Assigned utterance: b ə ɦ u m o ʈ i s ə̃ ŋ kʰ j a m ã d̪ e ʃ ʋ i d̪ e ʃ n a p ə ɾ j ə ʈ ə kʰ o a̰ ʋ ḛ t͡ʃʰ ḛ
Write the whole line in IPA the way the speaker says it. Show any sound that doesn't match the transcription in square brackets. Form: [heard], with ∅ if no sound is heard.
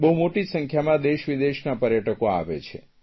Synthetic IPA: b ə ɦ u m o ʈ i s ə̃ ŋ kʰ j a m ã d̪ e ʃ ʋ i d̪ e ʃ n a p ə ɾ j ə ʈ ə [k] o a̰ ʋ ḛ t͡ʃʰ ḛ